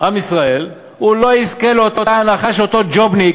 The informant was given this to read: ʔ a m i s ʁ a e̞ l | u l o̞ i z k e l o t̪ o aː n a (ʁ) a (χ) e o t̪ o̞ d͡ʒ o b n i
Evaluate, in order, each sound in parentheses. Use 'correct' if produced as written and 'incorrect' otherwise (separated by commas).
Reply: incorrect, incorrect